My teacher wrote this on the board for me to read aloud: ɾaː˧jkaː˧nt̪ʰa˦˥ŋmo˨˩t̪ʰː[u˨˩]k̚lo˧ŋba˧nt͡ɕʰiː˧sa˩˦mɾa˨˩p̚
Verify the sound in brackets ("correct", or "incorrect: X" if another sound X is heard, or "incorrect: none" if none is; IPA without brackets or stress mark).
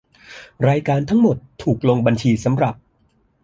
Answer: incorrect: uː˨˩